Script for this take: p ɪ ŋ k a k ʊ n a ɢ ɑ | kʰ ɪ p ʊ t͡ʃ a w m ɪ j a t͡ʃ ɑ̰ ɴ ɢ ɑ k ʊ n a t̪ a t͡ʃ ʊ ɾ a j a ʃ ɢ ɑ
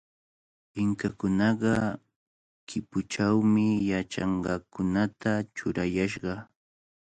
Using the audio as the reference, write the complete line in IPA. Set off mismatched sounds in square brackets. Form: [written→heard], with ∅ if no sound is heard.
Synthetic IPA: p ɪ ŋ k a k ʊ n [a→ɑ] ɢ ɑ | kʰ ɪ p ʊ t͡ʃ a w m ɪ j a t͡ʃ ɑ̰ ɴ ɢ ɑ k ʊ n a t̪ a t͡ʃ ʊ ɾ a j a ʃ ɢ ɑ